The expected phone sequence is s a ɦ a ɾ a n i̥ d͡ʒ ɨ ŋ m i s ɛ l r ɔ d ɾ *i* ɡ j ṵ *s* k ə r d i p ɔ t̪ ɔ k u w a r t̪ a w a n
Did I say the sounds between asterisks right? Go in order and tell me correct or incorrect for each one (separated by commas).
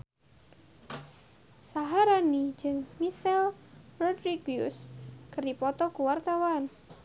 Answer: correct, correct